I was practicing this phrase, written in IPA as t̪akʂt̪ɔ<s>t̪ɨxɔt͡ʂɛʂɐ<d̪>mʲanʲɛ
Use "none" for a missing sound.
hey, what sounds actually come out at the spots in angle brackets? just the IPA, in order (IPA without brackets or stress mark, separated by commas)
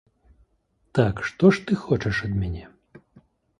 ʂ, d̪